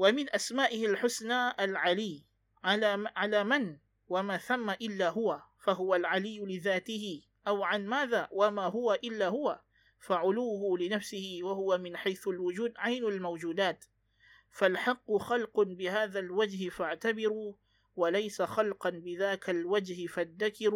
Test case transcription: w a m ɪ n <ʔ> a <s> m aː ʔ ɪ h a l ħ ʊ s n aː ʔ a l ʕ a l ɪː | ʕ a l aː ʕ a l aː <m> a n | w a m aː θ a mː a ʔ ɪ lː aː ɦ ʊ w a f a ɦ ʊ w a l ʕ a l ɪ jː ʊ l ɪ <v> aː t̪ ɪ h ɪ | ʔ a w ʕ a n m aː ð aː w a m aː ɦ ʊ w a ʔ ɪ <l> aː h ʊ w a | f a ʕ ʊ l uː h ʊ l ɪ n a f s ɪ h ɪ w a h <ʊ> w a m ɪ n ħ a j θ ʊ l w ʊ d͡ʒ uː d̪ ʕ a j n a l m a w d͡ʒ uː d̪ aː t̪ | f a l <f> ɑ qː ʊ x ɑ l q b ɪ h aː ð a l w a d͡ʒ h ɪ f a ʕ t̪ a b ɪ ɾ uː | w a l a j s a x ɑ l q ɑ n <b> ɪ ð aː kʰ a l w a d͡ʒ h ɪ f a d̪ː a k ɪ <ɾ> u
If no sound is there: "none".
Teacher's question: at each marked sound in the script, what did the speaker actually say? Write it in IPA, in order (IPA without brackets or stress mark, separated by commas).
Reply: ʔ, s, m, ð, lː, ʊ, ħ, b, ɾ